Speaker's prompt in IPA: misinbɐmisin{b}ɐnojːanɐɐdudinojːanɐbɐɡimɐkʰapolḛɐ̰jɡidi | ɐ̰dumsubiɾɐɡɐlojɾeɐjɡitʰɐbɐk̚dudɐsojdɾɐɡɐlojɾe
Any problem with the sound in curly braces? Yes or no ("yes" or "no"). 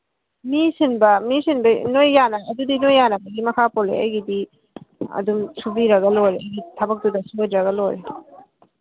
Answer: no